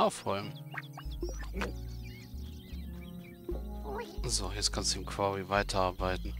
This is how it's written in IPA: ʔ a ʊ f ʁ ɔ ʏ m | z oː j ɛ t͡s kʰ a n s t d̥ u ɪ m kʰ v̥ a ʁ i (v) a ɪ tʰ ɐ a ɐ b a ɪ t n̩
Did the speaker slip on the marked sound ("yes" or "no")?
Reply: no